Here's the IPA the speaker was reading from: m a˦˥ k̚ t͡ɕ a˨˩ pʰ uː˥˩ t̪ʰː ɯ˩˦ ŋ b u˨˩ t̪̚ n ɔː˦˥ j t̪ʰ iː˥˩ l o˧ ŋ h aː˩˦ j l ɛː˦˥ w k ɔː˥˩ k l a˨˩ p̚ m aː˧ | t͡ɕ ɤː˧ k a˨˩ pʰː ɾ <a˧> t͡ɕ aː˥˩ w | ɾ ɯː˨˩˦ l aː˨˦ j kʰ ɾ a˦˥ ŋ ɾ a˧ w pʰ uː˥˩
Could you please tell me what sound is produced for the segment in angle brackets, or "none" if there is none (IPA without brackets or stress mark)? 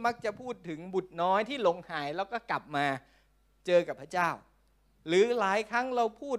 a˦˥